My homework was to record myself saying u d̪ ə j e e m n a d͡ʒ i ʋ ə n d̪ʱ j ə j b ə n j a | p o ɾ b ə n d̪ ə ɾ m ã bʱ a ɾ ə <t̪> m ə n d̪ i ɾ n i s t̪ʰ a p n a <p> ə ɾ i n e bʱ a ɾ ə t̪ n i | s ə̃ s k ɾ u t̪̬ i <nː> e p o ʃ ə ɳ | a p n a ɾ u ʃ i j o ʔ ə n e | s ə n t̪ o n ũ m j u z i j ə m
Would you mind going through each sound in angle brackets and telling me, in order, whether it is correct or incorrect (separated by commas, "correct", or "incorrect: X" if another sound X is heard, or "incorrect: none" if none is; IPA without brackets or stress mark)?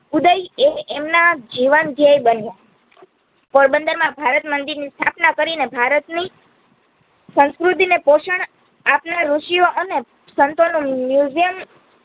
correct, incorrect: k, incorrect: n